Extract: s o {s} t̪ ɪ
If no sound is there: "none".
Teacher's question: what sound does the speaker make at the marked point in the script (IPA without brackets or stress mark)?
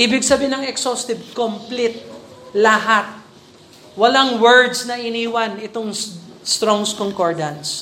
s